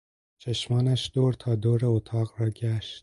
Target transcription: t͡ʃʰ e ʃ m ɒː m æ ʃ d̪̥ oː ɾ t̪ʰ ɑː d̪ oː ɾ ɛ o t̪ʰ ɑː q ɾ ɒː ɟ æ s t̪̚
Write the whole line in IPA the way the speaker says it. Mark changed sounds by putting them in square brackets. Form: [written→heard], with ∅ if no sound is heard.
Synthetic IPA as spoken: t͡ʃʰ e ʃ m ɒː [m→n] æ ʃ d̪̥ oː ɾ t̪ʰ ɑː d̪ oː ɾ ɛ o t̪ʰ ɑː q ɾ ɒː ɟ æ [s→ʃ] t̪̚